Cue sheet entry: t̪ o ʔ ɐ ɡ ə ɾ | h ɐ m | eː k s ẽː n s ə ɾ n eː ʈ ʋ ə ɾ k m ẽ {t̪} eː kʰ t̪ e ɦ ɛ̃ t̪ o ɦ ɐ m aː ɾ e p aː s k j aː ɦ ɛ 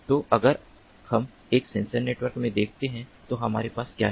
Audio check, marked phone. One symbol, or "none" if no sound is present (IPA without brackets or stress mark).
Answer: d̪